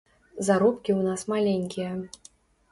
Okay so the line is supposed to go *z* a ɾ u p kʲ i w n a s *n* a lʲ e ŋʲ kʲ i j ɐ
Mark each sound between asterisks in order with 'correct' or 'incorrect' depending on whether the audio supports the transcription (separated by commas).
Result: correct, incorrect